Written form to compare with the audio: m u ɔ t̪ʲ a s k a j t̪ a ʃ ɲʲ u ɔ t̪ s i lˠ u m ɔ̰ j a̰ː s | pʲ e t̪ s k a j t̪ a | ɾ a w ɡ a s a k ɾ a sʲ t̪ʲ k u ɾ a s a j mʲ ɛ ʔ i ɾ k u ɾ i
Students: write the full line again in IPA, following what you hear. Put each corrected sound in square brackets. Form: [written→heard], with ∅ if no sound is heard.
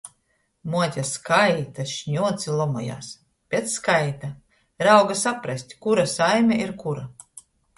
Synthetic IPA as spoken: m u ɔ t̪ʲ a s k a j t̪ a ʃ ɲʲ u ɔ t̪ s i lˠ [u→ɔ] m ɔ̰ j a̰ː s | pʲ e t̪ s k a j t̪ a | ɾ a w ɡ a s a [k→p] ɾ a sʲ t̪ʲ k u ɾ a s a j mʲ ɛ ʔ i ɾ k u ɾ [i→a]